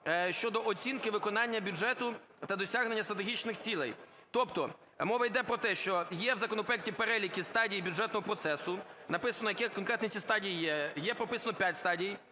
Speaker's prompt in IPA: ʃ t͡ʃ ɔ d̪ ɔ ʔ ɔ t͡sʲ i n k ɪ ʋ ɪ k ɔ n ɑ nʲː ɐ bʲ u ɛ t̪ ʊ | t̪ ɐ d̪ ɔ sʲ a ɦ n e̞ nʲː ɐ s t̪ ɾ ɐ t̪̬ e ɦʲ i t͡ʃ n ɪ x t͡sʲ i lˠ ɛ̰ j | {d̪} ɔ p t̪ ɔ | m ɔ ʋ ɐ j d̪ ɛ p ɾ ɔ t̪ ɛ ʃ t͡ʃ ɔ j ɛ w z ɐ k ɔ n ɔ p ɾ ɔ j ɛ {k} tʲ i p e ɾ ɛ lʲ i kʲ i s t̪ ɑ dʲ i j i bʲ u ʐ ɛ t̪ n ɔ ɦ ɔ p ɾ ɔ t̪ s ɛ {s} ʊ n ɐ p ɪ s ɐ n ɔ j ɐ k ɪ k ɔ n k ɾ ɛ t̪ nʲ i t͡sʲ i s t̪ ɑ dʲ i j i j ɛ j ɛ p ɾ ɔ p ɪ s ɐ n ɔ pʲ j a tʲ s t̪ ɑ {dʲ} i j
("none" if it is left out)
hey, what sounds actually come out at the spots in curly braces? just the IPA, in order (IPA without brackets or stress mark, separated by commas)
t̪, k, s, dʲ